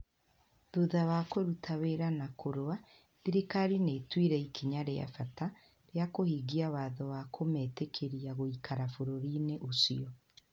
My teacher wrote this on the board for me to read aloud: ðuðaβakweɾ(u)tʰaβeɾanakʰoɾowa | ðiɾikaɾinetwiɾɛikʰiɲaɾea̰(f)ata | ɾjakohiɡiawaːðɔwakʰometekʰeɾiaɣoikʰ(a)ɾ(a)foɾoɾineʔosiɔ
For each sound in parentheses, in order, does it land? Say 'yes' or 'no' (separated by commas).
yes, yes, yes, yes